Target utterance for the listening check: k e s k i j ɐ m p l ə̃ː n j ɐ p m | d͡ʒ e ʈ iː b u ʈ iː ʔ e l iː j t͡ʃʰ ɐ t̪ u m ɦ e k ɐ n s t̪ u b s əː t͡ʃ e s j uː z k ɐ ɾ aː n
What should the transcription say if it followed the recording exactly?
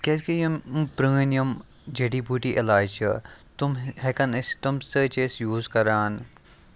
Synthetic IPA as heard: k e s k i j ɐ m p ɾ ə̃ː n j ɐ m | d͡ʒ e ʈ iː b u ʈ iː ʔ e l aː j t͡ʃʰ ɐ t̪ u m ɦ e k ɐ n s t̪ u m s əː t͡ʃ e s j uː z k ɐ ɾ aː n